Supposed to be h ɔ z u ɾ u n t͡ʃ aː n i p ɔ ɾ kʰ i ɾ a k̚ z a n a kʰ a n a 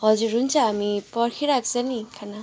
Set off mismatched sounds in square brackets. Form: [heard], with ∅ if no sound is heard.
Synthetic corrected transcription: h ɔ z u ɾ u n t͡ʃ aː [m] i p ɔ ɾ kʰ i ɾ a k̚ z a n [i] kʰ a n a